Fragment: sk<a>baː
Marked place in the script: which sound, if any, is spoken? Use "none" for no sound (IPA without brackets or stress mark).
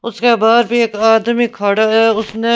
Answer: e